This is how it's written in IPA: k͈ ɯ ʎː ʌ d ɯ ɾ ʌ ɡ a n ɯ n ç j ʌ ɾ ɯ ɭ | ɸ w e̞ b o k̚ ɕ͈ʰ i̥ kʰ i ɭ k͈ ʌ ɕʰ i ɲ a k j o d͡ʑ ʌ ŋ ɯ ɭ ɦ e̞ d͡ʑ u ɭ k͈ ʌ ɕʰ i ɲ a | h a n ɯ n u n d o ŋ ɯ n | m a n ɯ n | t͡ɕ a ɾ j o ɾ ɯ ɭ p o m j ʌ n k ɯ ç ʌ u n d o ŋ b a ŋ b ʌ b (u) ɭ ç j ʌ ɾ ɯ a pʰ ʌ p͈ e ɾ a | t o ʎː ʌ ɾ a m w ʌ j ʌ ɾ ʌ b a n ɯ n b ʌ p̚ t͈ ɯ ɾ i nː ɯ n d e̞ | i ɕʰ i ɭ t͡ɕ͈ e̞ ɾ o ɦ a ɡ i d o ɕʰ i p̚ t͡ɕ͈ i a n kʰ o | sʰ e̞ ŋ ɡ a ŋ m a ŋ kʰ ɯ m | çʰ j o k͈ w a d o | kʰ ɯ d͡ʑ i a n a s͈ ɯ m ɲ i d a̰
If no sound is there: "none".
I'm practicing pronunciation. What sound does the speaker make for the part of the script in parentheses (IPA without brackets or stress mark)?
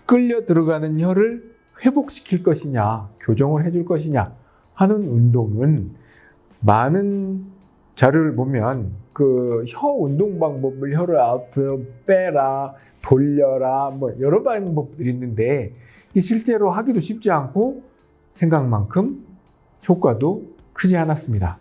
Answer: ɯ